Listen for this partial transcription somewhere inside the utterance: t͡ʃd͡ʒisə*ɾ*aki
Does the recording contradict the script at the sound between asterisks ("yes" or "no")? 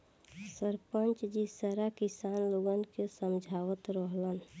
no